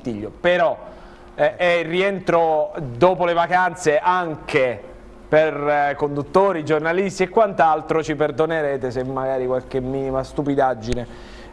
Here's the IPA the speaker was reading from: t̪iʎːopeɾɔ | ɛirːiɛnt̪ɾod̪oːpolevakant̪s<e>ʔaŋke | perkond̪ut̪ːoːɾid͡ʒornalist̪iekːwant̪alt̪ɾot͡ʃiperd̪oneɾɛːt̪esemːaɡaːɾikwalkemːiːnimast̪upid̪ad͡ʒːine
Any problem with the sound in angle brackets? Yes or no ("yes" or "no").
no